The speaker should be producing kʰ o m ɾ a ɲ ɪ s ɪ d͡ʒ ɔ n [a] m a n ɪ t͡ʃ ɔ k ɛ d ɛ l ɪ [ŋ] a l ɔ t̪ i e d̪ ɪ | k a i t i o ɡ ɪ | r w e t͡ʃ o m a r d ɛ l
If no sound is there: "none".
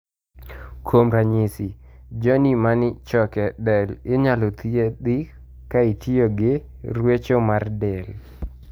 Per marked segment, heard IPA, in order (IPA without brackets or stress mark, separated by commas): i, ɲ